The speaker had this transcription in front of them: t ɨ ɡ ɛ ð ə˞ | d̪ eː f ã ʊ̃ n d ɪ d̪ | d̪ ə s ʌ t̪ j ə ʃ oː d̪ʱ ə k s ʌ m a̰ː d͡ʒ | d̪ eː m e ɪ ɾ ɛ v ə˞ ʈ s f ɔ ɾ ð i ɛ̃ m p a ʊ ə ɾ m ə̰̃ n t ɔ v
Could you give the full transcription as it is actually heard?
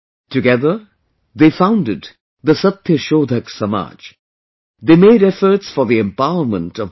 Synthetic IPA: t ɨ ɡ ɛ ð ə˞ | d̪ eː f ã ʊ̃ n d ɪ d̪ | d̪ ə s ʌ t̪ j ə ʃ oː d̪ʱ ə k s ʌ m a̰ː d͡ʒ | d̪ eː m e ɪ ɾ ɛ f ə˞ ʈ s f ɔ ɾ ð i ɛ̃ m p a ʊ ə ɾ m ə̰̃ n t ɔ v